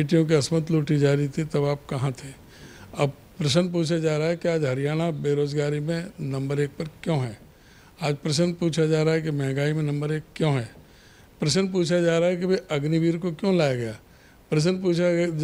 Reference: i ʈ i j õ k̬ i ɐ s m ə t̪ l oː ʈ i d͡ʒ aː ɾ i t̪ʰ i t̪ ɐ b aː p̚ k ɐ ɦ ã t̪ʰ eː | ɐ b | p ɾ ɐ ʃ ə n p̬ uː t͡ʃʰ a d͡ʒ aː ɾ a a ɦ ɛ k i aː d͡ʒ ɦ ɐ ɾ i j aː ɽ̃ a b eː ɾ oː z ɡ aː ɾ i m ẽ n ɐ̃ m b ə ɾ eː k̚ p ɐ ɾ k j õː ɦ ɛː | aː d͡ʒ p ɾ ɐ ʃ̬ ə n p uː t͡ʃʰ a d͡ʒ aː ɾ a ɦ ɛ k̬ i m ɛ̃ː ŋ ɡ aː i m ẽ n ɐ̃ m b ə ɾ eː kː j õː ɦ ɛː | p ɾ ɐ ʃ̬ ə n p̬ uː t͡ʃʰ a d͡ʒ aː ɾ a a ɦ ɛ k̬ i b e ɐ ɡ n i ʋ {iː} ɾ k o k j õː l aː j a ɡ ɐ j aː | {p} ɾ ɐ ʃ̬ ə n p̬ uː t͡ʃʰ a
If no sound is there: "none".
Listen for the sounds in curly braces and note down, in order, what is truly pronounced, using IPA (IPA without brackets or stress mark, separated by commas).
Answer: iː, p